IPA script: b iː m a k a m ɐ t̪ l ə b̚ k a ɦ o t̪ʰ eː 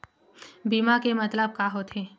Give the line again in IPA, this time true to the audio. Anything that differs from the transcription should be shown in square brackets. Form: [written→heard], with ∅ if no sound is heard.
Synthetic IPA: b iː m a k [a→e] m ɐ t̪ l ə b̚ k a ɦ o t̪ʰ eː